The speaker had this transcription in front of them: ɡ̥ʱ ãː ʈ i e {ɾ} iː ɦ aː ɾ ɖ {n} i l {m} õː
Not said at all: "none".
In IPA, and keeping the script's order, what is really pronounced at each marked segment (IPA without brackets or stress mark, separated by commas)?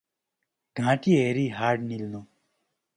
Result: ɾ, n, n